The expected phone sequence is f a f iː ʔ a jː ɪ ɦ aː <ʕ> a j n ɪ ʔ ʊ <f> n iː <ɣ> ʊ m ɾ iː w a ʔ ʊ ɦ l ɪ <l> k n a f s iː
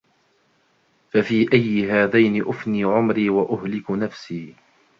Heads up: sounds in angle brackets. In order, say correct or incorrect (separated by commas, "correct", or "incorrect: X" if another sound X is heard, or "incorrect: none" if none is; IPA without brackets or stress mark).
incorrect: ð, correct, incorrect: ʕ, incorrect: none